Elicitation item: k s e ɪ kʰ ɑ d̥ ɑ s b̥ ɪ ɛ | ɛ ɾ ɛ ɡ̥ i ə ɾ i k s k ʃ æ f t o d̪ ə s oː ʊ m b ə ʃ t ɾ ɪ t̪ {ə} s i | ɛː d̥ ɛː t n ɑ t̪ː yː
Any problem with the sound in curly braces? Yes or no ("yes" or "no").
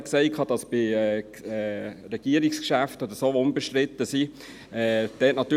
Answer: no